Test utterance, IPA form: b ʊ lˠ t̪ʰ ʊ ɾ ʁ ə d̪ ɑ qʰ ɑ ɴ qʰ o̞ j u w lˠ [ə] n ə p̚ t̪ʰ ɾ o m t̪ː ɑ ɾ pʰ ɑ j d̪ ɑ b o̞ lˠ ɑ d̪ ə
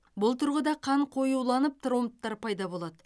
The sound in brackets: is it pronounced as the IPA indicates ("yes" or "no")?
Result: no